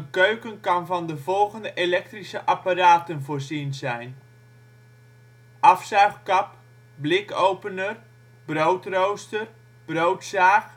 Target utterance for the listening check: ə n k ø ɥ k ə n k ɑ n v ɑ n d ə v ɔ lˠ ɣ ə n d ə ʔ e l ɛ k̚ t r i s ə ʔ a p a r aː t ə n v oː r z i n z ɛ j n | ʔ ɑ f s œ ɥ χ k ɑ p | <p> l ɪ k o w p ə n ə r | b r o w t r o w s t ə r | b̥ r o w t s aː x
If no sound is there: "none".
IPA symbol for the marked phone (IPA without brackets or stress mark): b